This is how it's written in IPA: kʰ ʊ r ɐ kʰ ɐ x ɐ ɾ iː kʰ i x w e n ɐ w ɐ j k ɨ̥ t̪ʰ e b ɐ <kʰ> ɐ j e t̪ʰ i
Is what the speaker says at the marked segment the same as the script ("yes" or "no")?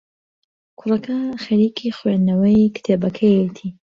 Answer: yes